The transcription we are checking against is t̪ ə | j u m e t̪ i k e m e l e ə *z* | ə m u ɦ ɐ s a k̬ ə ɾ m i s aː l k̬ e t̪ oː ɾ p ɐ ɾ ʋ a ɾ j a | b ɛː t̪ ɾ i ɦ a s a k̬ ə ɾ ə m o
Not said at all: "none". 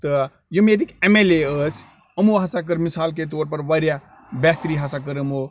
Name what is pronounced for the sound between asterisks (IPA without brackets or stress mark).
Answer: s